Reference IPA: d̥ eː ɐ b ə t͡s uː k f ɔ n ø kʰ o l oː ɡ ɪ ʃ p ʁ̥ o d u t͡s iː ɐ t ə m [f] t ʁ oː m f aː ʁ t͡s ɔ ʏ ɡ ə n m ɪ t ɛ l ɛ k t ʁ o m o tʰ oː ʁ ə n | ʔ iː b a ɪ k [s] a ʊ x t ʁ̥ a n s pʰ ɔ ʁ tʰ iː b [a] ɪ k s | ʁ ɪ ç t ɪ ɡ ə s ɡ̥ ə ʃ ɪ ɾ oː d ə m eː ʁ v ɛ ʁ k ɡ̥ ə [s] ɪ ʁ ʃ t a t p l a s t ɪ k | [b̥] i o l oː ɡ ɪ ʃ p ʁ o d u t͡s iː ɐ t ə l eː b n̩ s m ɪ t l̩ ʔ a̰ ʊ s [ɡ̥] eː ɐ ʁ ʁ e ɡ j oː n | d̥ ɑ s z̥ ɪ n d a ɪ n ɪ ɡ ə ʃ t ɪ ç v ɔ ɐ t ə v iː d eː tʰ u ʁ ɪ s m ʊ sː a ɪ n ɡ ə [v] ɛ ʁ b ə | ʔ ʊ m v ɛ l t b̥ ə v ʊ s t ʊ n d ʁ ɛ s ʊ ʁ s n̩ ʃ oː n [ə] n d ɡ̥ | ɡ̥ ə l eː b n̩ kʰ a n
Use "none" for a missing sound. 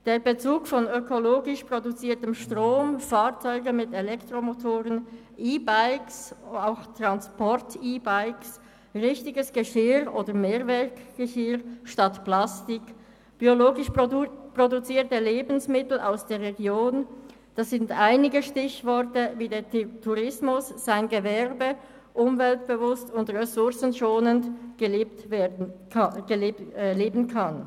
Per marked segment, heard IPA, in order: ʃ, s, a, ʃ, b̥, d̥, v, ə

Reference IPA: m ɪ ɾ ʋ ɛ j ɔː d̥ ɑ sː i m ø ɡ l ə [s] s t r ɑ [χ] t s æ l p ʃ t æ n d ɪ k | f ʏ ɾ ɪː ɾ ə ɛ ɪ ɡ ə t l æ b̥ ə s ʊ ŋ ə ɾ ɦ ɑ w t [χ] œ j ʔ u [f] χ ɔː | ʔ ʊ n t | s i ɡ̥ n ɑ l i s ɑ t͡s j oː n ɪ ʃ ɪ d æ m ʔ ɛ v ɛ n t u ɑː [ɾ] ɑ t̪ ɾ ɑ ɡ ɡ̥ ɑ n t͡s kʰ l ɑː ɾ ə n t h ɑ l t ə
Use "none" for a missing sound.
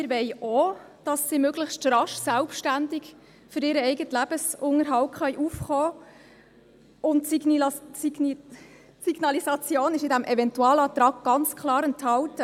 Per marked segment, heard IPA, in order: χ, ʃ, χ, f, l

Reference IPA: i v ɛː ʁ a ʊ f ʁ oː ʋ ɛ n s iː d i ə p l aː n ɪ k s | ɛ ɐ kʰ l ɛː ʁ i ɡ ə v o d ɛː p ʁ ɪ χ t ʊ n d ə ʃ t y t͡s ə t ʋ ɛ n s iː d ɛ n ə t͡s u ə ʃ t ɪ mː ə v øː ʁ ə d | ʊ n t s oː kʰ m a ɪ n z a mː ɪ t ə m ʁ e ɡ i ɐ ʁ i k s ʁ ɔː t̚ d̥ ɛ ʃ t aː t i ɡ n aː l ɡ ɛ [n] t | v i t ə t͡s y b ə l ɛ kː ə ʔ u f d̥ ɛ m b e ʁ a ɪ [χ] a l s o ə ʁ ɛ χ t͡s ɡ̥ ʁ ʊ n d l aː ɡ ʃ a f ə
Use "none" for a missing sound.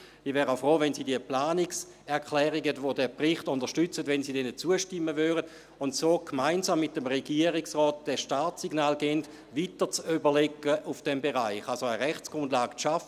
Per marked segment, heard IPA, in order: n, χ

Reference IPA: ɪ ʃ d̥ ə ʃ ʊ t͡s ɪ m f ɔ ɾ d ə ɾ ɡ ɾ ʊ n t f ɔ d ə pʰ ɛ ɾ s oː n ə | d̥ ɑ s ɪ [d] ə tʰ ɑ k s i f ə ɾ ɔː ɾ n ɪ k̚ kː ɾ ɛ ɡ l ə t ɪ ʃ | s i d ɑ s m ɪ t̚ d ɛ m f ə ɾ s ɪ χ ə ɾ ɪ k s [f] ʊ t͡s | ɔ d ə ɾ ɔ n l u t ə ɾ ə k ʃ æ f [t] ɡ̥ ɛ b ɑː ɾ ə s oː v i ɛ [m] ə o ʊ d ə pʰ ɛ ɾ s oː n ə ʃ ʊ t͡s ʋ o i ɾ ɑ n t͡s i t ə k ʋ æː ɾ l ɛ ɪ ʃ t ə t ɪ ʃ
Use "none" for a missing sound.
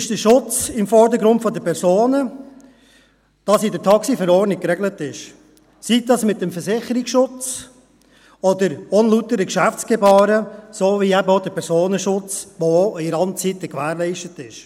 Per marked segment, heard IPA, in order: d, ʃ, t͡s, b

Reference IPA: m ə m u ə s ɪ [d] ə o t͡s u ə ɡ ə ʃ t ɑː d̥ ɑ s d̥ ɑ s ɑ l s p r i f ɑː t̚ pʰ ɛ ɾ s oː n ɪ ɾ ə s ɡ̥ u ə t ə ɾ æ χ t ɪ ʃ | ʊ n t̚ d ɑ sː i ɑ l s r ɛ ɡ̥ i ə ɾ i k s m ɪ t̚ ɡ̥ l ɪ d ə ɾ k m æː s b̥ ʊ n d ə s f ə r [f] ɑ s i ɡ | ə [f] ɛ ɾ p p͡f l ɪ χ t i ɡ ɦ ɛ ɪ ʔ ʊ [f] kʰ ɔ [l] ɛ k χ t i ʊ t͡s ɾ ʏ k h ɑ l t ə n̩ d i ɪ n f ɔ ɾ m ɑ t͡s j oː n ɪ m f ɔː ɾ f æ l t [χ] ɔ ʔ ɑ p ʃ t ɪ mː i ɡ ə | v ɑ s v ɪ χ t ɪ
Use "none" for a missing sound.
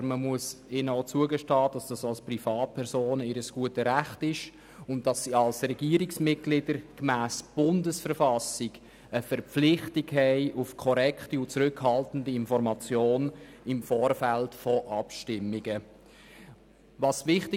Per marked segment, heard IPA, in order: n, f, f, f, ɾ, f

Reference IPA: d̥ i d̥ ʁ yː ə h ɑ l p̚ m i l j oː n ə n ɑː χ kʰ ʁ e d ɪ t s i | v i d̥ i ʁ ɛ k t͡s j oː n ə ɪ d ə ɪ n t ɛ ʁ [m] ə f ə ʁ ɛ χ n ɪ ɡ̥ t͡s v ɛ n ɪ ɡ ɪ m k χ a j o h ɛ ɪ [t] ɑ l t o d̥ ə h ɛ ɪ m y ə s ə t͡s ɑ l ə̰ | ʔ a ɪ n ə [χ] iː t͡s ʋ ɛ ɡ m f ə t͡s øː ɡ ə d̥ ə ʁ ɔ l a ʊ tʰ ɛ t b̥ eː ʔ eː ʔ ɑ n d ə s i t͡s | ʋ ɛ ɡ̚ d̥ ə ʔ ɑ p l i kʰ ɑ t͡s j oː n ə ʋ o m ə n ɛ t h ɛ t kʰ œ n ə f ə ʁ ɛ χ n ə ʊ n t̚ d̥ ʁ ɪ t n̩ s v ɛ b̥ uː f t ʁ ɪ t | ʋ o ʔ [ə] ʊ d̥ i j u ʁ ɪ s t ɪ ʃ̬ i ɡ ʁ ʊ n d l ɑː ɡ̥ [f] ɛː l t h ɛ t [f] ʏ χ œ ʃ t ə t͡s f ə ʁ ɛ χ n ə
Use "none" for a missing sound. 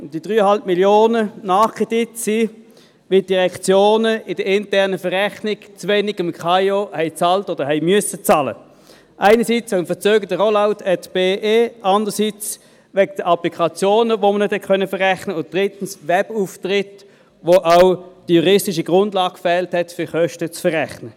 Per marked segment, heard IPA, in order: n, t͡s, s, a, f, f

